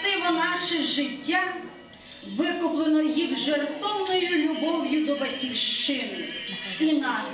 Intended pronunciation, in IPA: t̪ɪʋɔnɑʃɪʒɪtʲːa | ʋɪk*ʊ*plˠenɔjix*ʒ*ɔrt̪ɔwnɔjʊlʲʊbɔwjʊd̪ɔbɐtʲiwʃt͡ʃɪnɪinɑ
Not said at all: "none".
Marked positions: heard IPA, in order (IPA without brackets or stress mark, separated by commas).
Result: ʊ, ʒ